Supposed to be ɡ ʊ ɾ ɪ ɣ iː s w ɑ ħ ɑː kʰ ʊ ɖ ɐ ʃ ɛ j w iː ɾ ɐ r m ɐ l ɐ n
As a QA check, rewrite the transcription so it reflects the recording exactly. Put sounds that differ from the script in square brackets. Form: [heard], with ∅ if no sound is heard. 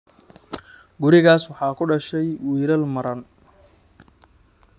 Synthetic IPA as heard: ɡ ʊ ɾ ɪ ɣ [aː] s w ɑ ħ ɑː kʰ ʊ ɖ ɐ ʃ ɛ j w iː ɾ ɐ [l] m ɐ [ɾ] ɐ n